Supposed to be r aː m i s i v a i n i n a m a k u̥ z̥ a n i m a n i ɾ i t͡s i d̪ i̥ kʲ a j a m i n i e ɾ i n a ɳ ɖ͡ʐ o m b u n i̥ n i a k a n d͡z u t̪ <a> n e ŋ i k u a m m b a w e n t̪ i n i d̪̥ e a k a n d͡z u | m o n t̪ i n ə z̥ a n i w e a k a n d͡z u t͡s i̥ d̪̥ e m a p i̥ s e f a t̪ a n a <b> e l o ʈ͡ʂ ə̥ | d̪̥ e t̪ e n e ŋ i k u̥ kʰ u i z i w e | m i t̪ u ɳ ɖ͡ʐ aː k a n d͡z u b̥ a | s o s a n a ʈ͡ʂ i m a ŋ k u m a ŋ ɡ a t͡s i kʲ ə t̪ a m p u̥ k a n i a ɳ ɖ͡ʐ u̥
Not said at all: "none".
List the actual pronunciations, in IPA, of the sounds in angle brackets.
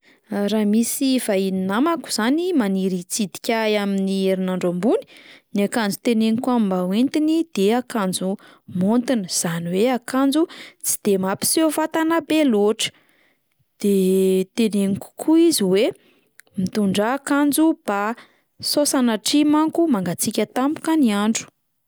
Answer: e, b

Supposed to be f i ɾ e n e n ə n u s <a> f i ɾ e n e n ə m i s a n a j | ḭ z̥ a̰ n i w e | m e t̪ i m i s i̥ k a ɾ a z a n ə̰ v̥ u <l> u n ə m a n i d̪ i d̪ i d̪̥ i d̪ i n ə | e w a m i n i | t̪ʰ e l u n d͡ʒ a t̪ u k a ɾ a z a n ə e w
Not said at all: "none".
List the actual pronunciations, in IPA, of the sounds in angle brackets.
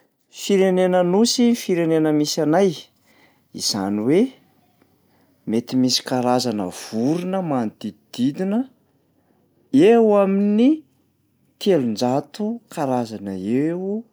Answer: i, ɾ

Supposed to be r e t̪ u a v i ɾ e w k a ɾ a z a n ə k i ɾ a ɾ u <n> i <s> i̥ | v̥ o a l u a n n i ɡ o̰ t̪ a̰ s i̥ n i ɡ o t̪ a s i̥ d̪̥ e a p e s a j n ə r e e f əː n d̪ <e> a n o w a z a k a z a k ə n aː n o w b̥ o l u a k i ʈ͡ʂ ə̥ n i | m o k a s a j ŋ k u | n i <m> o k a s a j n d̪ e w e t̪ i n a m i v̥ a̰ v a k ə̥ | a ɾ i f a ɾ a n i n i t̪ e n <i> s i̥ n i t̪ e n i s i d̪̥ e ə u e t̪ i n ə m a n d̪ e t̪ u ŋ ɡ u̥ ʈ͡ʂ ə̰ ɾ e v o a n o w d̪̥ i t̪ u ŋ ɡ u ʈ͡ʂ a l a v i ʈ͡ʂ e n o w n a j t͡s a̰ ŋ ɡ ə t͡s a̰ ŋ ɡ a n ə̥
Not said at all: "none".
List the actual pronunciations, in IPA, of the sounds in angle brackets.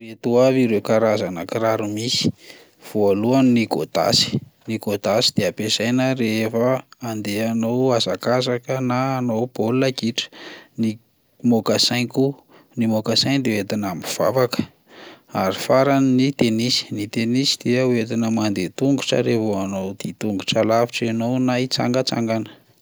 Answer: m, s, e, m, i

